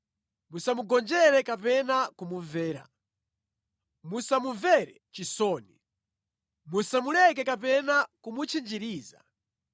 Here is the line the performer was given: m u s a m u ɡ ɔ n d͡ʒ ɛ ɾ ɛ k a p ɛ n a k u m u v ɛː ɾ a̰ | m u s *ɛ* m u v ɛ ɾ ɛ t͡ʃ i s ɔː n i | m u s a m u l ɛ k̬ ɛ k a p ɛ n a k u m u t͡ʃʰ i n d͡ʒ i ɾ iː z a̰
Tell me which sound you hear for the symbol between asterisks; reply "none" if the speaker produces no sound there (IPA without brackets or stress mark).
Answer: a